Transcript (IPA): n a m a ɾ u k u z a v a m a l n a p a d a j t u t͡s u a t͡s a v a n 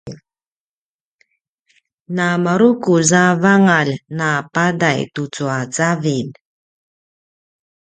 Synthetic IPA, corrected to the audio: n a m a ɾ u k u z a v a ŋ a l n a p a d a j t u t͡s u a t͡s a v i n